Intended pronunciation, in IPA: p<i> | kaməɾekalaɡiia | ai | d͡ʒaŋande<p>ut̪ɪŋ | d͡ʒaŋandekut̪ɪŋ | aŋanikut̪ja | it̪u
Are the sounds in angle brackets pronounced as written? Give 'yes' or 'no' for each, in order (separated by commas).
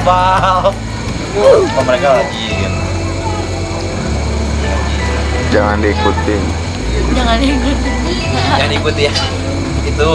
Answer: no, no